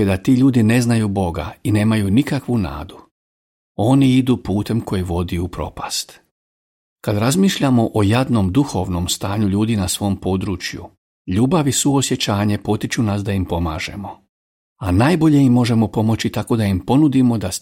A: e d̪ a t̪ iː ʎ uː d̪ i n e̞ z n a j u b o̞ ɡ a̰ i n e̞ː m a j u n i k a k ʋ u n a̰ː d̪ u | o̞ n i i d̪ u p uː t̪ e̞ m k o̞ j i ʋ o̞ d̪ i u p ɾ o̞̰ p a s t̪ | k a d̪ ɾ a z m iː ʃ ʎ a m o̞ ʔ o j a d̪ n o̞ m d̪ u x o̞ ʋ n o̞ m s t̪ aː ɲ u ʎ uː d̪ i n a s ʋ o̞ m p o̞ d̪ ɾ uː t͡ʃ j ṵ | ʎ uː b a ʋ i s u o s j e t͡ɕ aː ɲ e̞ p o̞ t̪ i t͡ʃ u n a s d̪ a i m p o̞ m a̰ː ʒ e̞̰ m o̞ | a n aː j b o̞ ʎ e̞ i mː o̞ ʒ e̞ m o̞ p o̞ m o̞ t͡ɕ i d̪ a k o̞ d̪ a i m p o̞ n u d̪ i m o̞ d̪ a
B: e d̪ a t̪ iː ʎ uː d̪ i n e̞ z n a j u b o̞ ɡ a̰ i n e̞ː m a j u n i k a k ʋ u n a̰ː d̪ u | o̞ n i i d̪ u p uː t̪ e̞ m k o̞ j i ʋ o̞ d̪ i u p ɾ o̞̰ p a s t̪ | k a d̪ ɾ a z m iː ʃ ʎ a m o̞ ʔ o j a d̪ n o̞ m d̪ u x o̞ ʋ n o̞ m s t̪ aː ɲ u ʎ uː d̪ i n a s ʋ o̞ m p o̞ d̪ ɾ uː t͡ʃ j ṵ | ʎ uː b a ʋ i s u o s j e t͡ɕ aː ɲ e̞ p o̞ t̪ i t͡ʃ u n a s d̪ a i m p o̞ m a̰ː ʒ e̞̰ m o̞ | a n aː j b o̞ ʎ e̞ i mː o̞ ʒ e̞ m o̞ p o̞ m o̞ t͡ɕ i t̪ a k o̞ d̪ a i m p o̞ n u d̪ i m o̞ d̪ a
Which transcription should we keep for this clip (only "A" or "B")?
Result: B